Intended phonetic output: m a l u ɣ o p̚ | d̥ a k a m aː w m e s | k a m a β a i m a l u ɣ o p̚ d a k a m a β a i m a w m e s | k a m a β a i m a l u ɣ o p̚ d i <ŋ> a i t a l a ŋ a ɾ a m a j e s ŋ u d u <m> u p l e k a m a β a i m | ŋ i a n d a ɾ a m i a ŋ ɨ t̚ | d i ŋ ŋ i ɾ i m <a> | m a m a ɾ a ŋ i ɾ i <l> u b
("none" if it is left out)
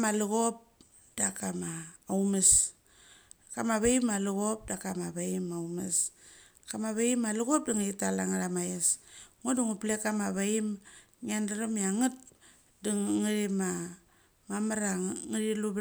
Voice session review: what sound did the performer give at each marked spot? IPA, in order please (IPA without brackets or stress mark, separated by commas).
ŋ, ŋ, a, l